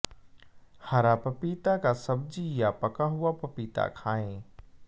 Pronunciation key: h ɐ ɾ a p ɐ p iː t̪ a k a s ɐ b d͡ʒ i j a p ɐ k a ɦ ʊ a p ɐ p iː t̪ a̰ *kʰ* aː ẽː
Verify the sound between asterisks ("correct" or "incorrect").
correct